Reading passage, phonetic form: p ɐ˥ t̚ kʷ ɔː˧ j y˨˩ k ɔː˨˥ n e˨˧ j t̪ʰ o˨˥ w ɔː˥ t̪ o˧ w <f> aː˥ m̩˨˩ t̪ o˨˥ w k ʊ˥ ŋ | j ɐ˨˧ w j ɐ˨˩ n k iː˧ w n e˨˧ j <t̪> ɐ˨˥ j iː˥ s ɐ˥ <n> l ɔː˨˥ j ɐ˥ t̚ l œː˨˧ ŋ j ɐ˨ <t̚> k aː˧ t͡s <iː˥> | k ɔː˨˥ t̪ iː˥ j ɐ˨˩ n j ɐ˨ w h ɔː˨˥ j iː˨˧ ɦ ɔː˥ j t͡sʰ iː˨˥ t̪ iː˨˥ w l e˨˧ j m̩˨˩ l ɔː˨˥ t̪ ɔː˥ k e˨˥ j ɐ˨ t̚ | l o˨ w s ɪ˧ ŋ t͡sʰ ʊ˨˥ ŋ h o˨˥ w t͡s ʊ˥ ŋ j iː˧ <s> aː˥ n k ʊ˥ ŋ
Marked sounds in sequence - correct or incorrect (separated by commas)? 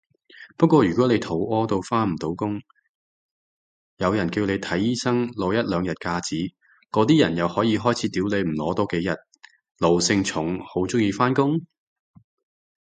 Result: correct, incorrect, incorrect, correct, incorrect, incorrect